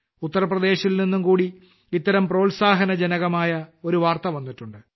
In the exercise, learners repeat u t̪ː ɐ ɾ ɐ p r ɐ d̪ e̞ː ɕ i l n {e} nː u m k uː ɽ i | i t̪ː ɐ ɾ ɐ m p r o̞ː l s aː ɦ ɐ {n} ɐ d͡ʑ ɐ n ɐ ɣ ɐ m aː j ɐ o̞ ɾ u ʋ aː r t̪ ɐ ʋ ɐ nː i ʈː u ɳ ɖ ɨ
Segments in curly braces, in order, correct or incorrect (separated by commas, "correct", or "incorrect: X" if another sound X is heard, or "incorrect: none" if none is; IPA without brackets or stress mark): incorrect: i, correct